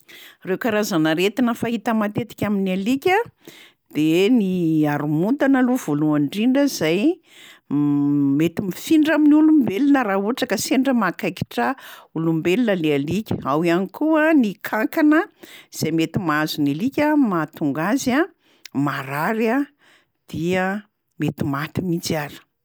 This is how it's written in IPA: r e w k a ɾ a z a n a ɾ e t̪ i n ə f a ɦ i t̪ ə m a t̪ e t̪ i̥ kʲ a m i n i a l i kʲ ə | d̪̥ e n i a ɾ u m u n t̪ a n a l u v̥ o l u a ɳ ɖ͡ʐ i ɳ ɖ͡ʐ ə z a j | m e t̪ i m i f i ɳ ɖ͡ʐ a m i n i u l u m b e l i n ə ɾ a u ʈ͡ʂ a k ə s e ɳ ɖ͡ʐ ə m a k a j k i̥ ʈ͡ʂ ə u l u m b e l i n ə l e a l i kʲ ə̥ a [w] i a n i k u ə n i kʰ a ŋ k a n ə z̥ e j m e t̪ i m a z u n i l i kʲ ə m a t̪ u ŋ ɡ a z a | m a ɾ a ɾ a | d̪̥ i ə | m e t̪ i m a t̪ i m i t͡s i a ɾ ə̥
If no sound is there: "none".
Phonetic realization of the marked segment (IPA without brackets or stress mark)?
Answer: w